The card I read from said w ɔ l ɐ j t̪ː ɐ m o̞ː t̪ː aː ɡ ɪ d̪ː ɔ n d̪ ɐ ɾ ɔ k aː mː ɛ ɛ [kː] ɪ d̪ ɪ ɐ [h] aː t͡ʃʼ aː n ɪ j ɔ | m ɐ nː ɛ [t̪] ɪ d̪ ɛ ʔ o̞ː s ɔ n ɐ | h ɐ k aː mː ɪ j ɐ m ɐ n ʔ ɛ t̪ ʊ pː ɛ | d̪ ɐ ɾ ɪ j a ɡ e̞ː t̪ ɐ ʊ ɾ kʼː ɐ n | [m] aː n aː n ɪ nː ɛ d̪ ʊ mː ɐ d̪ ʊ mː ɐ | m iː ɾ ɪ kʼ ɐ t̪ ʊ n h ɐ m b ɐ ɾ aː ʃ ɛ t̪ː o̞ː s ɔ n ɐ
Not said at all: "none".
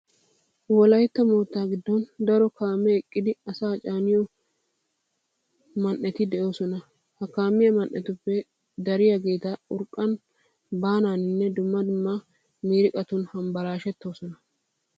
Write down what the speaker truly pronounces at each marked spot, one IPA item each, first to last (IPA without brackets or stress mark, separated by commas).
kʼː, s, t̪, b